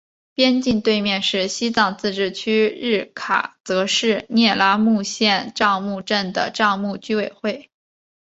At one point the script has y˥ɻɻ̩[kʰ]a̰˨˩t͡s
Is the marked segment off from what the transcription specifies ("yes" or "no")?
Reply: no